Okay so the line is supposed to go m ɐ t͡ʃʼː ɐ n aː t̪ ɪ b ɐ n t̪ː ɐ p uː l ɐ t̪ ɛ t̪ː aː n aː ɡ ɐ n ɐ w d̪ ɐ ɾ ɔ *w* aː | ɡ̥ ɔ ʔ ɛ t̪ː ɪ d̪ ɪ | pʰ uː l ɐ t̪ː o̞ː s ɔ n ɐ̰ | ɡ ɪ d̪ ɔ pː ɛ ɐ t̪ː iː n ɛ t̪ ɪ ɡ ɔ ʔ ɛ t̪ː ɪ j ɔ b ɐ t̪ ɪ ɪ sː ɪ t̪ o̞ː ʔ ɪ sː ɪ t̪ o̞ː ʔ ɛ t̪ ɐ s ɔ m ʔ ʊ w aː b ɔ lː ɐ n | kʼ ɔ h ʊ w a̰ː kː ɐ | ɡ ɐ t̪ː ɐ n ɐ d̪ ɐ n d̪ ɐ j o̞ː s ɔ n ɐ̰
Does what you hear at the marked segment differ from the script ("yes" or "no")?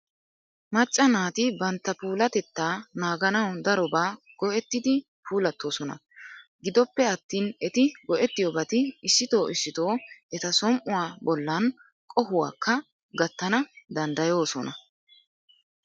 yes